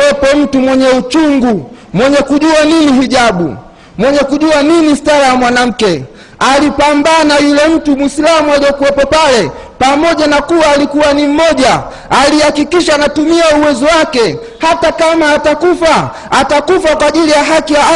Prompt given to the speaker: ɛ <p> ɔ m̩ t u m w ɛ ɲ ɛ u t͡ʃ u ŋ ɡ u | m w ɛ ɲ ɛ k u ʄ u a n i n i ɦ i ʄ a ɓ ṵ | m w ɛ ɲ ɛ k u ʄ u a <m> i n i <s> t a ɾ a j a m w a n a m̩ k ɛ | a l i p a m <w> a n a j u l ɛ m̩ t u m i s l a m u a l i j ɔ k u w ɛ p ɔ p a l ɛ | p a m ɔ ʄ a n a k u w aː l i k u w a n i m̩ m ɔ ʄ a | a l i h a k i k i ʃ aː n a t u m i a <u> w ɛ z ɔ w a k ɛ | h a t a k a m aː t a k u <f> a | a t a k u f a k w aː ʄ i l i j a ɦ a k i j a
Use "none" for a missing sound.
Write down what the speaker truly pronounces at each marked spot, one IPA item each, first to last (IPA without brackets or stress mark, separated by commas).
p, n, s, b, u, f